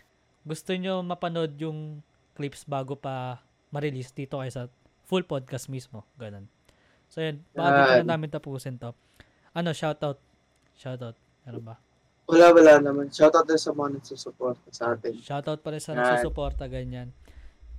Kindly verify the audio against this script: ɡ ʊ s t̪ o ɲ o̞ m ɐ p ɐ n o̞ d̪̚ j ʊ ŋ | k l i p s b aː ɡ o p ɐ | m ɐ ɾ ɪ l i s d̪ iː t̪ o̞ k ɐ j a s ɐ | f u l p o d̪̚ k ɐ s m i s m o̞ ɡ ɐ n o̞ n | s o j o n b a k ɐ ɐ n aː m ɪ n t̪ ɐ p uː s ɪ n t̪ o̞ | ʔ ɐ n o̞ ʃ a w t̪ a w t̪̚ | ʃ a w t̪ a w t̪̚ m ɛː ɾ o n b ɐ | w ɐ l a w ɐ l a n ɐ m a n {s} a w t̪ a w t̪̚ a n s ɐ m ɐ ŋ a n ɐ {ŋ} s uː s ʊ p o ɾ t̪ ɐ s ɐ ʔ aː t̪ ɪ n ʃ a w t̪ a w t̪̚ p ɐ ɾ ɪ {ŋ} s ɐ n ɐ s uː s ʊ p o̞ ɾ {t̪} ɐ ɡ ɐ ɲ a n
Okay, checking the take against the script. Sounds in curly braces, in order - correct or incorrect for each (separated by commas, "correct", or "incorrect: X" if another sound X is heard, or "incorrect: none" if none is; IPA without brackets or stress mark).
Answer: incorrect: ʃ, incorrect: ɡ, incorrect: n, correct